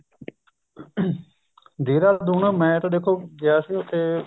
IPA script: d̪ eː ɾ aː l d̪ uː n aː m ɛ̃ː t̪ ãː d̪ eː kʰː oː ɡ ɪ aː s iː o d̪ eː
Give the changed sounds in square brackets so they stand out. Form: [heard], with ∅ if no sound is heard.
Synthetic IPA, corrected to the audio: d̪ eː ɾ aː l d̪ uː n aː m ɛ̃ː t̪ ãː d̪ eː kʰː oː ɡ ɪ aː s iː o [t̪] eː

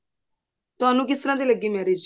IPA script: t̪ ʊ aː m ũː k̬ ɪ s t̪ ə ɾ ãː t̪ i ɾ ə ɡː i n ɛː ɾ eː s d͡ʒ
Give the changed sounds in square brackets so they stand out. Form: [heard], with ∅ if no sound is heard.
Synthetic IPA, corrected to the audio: t̪ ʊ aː [n] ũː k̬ ɪ s t̪ ə ɾ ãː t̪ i [l] ə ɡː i [m] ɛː ɾ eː [∅] d͡ʒ

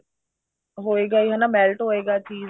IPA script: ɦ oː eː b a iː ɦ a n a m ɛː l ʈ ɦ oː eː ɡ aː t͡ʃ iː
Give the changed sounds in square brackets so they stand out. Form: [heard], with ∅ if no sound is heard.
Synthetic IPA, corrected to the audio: ɦ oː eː [ɡ] a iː ɦ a n a m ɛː l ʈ ɦ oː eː ɡ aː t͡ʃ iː

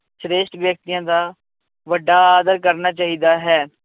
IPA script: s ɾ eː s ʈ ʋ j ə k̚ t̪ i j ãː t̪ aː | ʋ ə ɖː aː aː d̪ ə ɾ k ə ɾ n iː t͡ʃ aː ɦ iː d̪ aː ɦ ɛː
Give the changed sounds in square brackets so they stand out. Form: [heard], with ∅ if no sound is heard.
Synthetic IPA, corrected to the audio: s ɾ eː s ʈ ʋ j ə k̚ t̪ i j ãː [d̪] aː | ʋ ə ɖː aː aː d̪ ə ɾ k ə ɾ n [aː] t͡ʃ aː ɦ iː d̪ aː ɦ ɛː

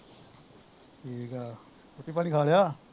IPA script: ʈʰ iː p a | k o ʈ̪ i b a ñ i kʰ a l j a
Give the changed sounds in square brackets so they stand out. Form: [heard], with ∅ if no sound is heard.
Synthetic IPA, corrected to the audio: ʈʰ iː [k] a | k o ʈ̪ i [p] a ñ i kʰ a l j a

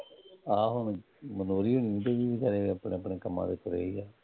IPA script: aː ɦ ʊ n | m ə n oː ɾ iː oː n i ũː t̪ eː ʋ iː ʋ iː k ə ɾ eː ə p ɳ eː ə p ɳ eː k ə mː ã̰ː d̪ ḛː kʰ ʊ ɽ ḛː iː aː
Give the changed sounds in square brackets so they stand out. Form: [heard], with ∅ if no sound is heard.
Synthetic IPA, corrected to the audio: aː ɦ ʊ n | m ə n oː ɾ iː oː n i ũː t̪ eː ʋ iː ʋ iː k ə ɾ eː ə p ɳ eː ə p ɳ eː k ə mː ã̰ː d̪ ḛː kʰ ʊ [ɾ] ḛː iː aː

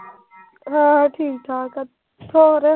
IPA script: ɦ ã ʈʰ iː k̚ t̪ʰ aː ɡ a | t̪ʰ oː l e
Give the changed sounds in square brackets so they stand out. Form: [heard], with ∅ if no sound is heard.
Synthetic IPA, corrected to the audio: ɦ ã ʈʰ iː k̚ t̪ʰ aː [k] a | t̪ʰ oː [ɾ] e

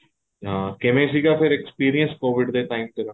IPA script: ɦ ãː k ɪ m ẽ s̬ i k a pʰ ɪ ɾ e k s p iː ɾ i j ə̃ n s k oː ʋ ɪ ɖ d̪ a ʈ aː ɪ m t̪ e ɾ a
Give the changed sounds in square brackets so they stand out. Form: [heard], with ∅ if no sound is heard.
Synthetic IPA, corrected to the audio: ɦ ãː k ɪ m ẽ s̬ i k a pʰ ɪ ɾ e k s p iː ɾ i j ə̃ n s k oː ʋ ɪ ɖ d̪ [e] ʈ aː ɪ m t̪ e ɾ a

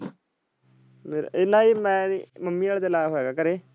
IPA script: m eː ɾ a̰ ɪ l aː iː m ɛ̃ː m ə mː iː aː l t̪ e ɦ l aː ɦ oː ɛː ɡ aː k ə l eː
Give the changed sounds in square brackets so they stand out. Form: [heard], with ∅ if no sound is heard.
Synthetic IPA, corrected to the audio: m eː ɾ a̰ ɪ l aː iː m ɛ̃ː m ə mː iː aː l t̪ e [∅] l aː ɦ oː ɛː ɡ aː k ə [ɾ] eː

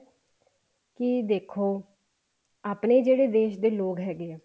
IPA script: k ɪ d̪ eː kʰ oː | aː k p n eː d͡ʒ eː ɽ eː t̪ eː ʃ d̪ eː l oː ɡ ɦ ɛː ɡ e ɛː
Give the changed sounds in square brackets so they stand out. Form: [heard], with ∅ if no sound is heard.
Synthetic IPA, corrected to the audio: k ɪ d̪ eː kʰ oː | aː [∅] p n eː d͡ʒ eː ɽ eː [d̪] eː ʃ d̪ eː l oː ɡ ɦ ɛː ɡ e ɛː

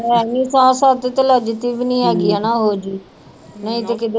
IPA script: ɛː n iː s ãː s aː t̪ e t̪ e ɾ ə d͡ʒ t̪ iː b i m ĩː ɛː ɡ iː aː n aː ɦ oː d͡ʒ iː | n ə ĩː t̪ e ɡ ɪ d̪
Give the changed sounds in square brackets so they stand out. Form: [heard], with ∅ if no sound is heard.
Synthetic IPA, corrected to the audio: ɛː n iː s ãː s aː t̪ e t̪ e [l] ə d͡ʒ t̪ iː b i [n] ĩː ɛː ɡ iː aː n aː ɦ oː d͡ʒ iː | n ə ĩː t̪ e [k] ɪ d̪

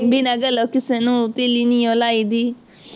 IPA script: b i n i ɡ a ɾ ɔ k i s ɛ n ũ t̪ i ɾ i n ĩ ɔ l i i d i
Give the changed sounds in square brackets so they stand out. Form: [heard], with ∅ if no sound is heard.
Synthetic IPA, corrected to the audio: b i n [a] ɡ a [l] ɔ k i s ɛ n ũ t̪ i [l] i n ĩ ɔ l [a] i d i

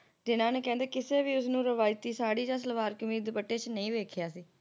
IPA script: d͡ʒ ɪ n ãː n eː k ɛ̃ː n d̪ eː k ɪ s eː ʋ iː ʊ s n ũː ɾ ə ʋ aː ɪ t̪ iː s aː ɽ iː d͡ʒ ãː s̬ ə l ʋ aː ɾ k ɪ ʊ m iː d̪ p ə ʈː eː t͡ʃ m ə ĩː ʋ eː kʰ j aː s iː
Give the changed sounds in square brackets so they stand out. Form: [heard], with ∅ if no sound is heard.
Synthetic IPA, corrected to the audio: d͡ʒ ɪ n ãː n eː k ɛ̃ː n d̪ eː k ɪ s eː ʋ iː ʊ s n ũː ɾ ə ʋ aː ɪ t̪ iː s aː ɽ iː d͡ʒ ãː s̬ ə l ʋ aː ɾ k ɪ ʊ m iː d̪ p ə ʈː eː t͡ʃ [n] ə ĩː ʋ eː kʰ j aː s iː

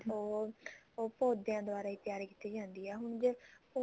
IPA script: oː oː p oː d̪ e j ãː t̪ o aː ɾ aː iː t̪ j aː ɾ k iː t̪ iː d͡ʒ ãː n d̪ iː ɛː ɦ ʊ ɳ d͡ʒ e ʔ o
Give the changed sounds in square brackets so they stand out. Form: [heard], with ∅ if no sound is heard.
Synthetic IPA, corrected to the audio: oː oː p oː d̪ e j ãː [d̪] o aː ɾ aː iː t̪ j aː ɾ k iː t̪ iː d͡ʒ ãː n d̪ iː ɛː ɦ ʊ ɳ d͡ʒ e [p] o

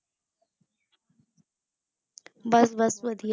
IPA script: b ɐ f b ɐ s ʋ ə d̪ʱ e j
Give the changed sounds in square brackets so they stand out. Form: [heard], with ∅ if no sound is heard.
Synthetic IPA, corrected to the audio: b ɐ [s] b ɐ s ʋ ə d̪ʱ [i] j

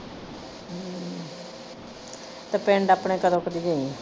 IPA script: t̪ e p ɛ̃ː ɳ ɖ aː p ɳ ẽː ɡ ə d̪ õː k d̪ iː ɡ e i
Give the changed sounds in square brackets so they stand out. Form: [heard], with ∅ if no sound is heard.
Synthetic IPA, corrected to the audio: t̪ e p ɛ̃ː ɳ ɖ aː p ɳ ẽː [k] ə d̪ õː k d̪ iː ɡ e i

